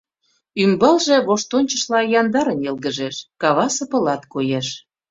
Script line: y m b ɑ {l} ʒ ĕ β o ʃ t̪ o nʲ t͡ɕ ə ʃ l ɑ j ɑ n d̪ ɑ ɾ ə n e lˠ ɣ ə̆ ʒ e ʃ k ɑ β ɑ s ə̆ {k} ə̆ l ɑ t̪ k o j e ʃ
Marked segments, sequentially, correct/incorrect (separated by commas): correct, incorrect